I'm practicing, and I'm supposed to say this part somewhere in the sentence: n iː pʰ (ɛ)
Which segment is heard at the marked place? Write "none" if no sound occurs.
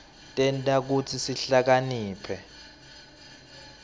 ɛ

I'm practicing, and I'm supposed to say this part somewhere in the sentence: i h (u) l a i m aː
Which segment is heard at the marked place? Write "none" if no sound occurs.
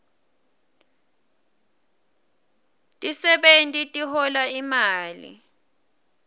ɔ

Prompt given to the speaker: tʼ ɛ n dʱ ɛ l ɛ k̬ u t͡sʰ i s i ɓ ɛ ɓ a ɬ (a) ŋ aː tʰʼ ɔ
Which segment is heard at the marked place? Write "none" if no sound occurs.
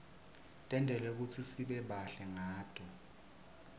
ɛ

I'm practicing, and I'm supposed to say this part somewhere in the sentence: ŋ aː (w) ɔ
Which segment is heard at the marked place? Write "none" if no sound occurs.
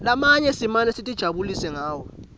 w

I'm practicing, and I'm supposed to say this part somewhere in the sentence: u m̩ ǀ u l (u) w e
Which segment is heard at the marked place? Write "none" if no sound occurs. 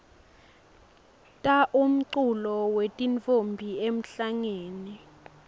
ɔ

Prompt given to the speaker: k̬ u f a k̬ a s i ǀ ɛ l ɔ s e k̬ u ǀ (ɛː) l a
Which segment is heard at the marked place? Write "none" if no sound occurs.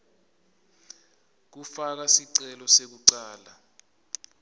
aː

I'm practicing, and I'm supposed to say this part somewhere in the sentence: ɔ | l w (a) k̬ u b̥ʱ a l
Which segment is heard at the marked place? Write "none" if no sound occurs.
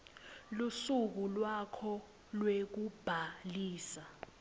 e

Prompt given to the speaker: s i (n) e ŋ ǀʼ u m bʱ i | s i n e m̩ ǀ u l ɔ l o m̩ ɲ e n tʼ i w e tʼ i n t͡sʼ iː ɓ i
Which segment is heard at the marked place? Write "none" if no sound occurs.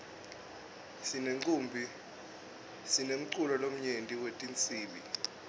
n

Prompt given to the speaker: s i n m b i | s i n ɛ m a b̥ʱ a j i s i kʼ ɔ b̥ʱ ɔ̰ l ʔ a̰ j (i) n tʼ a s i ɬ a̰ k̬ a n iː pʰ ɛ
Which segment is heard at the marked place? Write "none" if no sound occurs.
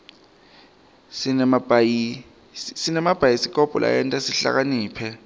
ɛ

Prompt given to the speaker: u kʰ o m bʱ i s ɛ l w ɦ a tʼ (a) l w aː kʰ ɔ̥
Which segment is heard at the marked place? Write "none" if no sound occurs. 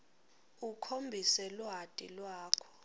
i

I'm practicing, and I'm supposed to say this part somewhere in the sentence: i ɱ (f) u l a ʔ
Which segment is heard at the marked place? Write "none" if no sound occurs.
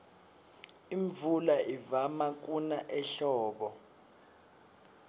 v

